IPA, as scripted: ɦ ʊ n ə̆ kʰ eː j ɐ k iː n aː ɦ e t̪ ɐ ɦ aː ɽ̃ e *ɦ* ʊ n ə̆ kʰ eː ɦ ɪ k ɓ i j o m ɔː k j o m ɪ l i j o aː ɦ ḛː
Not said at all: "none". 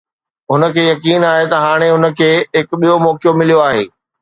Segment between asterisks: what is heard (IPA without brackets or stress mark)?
ɦ